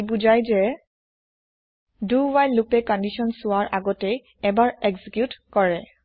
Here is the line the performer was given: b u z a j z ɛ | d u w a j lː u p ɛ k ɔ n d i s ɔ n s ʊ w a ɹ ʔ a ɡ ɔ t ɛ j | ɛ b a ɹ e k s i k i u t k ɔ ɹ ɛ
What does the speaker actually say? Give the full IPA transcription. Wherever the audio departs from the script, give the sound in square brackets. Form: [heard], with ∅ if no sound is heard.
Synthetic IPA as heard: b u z a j z ɛ | d u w a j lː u p ɛ k ɔ n d i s ɔ n s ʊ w a ɹ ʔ a ɡ ɔ t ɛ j | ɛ b a ɹ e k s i k [j] u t k ɔ ɹ ɛ